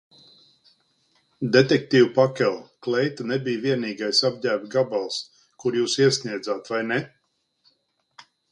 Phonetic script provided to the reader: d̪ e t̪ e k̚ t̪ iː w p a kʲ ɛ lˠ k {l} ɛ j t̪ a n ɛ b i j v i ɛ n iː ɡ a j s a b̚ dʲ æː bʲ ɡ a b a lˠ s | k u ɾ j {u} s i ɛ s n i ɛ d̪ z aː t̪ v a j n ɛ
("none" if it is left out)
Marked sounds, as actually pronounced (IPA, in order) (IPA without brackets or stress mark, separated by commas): l, uː